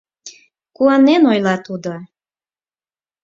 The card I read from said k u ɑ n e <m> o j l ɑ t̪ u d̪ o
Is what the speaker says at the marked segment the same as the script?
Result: no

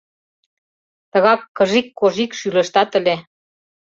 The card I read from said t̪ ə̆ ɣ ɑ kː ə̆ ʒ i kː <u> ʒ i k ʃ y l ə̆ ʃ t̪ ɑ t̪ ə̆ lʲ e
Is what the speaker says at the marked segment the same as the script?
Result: no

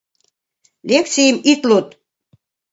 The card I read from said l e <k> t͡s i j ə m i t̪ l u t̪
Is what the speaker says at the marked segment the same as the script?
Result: yes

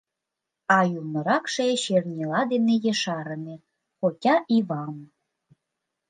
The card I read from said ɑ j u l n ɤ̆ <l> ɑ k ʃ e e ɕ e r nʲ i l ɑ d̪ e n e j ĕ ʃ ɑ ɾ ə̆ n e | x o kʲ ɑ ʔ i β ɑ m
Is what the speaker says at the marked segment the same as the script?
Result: no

